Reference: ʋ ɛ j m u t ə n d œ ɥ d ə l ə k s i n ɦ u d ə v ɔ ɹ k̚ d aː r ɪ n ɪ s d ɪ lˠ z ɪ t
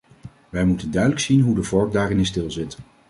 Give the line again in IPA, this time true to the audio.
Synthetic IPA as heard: ʋ ɛ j m u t ə n d œ ɥ d ə l ə k s i n ɦ u d ə v ɔ ɹ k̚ d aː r ɪ n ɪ s t ɪ lˠ z ɪ t